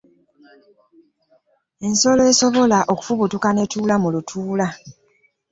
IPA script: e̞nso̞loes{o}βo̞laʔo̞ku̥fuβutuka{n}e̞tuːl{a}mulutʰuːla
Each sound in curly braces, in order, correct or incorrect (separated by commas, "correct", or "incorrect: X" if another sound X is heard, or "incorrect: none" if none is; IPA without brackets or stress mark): correct, correct, correct